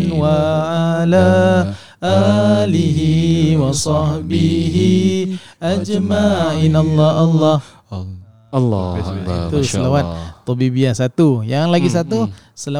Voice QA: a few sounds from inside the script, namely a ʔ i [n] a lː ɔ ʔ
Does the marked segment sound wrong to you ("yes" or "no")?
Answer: no